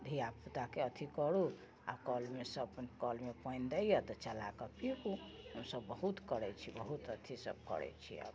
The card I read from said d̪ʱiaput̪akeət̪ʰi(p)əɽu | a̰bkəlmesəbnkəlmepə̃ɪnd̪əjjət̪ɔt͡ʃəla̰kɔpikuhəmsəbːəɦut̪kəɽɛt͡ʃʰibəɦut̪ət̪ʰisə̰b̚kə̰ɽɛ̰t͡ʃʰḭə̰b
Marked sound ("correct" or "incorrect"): incorrect